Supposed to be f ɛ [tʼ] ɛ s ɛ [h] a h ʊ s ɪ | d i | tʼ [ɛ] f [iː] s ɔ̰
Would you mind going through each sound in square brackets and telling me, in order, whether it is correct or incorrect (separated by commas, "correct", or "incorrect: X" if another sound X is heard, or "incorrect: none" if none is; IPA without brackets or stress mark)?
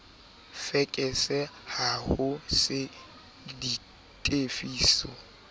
incorrect: kʼ, correct, incorrect: e, correct